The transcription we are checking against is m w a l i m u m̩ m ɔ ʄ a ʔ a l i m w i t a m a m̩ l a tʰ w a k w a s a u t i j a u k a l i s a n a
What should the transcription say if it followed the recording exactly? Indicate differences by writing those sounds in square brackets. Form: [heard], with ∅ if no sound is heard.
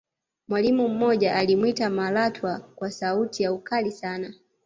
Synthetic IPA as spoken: m w a l i m u m̩ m ɔ ʄ a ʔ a l i m w i t a m a [∅] l a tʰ w a k w a s a u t i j a u k a l i s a n a